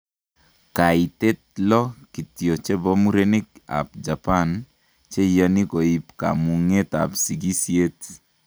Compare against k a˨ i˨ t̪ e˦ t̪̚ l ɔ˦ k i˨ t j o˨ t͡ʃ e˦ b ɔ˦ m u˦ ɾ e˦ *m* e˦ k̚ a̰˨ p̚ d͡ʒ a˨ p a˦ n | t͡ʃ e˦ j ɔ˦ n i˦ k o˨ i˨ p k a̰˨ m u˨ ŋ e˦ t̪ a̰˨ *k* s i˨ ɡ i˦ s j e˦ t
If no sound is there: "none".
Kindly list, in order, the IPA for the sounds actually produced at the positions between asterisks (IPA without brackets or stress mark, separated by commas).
n, p